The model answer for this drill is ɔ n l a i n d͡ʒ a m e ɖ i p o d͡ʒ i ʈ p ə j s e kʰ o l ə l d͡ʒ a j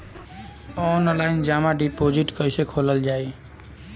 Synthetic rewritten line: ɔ n l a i n d͡ʒ a m a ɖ i p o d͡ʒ i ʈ k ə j s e kʰ o l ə l d͡ʒ a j